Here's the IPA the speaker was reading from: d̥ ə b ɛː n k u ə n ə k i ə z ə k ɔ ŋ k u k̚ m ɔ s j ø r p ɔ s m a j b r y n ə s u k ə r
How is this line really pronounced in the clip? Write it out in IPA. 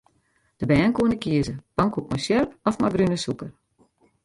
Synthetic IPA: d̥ ə b ɛː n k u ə n ə k i ə z ə p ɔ ŋ k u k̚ m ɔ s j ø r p ɔ f m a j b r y n ə s u k ə r